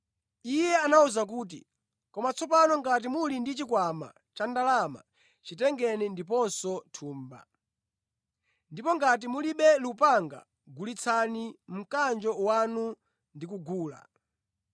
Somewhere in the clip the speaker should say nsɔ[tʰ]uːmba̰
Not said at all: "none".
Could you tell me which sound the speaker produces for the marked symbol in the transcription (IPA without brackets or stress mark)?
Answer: tʰ